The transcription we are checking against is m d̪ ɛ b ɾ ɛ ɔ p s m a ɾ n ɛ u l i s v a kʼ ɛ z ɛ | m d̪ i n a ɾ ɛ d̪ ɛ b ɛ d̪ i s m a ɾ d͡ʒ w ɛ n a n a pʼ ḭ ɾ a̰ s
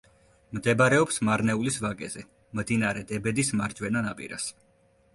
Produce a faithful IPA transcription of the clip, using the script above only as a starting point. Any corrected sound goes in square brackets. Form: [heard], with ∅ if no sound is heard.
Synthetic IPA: m d̪ ɛ b ɾ ɛ ɔ p s m a ɾ n ɛ u l i s v a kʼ ɛ z ɛ | m d̪ i n a ɾ ɛ d̪ ɛ b ɛ d̪ i s m a ɾ d͡ʒ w ɛ n a n a pʼ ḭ ɾ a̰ s